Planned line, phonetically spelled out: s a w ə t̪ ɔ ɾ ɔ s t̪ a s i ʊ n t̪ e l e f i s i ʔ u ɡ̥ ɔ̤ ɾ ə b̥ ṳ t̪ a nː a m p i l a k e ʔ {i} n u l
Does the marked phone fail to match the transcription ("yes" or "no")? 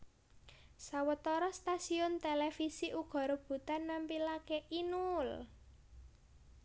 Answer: no